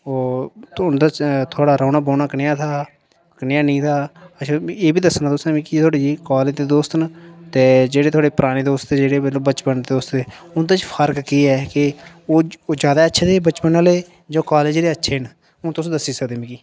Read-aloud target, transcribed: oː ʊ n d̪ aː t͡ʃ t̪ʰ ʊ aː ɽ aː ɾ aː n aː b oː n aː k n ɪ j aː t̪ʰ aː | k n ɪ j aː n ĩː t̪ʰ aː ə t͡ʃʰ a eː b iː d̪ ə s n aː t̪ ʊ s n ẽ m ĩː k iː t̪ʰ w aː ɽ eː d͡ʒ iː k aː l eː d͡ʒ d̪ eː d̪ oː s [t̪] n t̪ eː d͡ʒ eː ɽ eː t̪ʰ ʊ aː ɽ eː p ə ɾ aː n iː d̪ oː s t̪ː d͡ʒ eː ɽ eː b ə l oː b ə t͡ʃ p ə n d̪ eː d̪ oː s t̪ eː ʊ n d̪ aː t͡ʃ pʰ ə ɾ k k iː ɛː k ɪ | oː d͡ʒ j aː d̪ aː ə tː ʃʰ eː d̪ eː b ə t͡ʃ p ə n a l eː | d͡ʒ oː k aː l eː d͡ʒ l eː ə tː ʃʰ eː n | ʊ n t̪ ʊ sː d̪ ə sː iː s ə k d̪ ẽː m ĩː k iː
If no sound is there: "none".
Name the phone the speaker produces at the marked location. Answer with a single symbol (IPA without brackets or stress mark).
t̪